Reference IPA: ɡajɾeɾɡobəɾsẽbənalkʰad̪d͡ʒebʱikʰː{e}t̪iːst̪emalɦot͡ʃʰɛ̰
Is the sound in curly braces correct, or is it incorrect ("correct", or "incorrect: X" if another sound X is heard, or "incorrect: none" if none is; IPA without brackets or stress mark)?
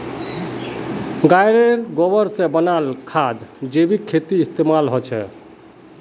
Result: correct